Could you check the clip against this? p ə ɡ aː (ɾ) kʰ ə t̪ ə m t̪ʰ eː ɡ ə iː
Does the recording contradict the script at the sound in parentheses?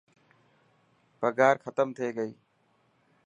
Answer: no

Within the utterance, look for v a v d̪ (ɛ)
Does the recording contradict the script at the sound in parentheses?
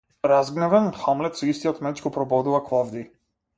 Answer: yes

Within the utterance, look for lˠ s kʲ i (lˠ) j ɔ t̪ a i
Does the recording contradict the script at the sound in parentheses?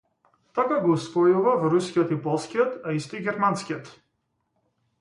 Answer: yes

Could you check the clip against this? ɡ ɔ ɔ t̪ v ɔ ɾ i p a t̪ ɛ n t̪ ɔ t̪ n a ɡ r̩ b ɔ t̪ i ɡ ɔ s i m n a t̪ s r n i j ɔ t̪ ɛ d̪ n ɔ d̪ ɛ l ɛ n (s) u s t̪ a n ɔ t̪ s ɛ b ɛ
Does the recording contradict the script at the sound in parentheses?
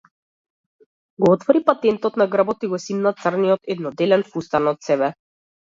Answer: yes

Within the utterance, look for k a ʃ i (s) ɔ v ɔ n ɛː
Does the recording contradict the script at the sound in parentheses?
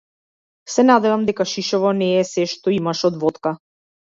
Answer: yes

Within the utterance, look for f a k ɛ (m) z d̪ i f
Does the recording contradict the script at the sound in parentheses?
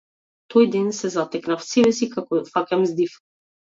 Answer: no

